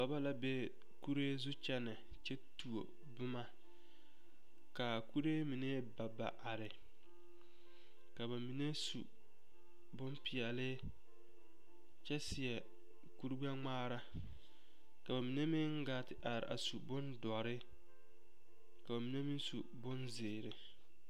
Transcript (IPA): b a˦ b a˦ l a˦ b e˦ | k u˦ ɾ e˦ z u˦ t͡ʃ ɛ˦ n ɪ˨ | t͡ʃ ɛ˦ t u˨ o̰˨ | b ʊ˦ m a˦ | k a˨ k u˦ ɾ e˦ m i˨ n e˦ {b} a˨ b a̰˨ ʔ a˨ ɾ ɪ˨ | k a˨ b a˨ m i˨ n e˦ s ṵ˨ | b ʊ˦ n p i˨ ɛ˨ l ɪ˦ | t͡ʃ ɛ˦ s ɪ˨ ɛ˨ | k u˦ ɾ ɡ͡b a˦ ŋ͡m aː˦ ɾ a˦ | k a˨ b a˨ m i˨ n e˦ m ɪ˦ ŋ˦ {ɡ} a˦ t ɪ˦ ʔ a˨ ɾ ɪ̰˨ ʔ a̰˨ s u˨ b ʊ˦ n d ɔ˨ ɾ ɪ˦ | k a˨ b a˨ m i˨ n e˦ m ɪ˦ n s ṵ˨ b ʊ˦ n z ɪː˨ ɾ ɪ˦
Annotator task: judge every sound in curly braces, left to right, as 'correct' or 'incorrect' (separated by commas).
correct, correct